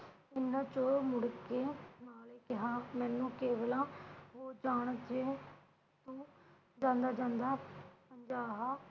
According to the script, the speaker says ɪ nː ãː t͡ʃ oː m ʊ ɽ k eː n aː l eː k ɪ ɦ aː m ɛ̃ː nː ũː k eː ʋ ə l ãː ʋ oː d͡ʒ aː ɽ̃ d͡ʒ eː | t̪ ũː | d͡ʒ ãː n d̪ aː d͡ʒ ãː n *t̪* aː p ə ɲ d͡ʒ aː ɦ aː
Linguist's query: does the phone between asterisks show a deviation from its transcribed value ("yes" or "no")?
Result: yes